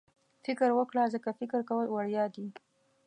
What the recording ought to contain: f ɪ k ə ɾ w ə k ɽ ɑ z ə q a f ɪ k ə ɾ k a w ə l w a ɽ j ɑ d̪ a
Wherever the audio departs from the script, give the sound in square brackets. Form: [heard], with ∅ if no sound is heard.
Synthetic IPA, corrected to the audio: f ɪ k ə ɾ w ə k ɽ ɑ z ə [k] a f ɪ k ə ɾ k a w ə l w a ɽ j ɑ d̪ [i]